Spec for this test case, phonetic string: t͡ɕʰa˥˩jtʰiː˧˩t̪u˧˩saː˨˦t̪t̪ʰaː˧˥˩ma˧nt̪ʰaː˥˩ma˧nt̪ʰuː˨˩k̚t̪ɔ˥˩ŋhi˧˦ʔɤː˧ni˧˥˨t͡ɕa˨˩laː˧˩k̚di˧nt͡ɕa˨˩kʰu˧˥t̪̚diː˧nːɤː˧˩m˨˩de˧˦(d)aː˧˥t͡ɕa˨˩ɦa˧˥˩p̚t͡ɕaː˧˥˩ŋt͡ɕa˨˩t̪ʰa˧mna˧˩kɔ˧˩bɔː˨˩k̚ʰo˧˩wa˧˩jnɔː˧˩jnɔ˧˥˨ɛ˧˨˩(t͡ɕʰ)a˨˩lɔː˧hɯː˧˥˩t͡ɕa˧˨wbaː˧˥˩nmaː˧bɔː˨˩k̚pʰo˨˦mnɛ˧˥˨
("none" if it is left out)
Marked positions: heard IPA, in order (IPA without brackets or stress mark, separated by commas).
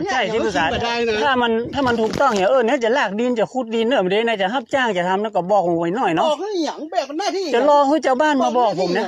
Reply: n, t͡ɕ